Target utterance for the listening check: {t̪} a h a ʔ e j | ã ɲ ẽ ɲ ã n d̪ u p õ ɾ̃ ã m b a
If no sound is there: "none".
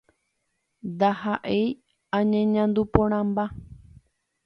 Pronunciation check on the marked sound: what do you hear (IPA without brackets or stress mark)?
d̪